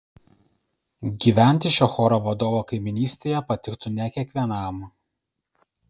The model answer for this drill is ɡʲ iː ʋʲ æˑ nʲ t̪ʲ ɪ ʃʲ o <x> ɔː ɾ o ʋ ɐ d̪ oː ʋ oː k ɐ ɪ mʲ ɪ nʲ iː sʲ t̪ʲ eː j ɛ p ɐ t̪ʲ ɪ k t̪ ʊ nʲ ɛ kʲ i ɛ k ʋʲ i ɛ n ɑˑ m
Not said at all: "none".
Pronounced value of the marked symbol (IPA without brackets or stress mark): x